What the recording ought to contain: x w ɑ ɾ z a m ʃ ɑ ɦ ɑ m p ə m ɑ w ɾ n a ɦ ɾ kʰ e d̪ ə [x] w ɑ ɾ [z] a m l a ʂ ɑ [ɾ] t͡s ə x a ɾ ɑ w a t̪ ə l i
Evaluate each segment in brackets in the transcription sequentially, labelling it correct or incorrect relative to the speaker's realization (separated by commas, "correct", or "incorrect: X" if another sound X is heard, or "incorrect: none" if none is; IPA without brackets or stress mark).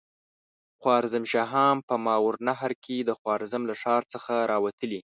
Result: correct, correct, correct